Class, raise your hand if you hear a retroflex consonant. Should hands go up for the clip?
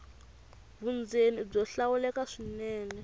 yes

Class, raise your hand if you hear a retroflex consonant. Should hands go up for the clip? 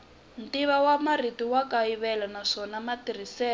yes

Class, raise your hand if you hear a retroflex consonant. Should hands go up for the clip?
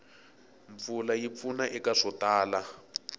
yes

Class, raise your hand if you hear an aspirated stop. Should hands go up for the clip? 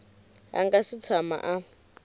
yes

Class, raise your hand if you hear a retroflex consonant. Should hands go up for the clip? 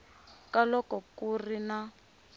no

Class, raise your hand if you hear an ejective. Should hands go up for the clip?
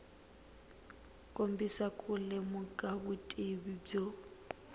yes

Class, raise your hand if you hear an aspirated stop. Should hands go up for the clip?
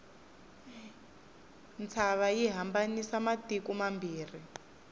yes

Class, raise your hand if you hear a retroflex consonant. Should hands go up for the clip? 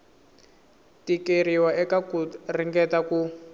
no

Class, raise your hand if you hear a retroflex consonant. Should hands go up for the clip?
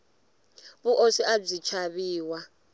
yes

